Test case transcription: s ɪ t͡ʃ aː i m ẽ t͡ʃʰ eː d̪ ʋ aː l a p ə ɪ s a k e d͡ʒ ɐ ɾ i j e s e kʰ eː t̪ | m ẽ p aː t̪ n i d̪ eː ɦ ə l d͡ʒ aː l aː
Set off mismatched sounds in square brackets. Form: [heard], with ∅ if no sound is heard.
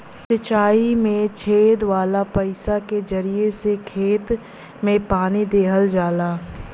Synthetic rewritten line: s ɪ t͡ʃ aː i m ẽ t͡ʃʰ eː d̪ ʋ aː l a p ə ɪ s a k e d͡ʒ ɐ ɾ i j e s e kʰ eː t̪ | m ẽ p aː [∅] n i d̪ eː ɦ ə l d͡ʒ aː l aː